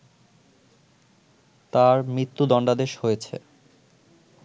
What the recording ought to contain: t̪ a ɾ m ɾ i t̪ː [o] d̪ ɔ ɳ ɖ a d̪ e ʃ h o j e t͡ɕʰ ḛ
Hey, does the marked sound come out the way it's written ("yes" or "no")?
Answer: no